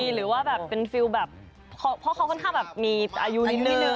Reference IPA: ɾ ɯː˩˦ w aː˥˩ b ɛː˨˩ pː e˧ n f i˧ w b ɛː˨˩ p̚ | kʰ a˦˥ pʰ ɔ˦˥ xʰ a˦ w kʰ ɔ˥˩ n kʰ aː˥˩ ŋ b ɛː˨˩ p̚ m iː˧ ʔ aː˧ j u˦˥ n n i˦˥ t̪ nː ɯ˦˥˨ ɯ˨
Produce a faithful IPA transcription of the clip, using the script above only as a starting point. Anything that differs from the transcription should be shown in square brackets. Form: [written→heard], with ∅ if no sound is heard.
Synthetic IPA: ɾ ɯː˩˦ w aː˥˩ b ɛː˨˩ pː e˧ n f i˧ w b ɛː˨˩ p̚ | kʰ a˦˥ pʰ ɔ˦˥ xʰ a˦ w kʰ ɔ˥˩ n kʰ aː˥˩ ŋ b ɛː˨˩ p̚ m iː˧ ʔ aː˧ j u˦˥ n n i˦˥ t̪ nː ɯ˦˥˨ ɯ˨